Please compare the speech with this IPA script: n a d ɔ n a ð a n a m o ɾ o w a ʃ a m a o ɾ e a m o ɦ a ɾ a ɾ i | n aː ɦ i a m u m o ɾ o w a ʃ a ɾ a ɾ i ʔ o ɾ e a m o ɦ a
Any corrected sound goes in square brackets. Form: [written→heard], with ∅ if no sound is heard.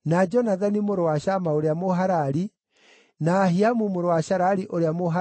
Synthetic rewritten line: n a [d→d͡ʒ] ɔ n a ð a n [a→i] m o ɾ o w a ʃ a m a o ɾ e a m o ɦ a ɾ a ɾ i | n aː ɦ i a m u m o ɾ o w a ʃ a ɾ a ɾ i ʔ o ɾ e a m o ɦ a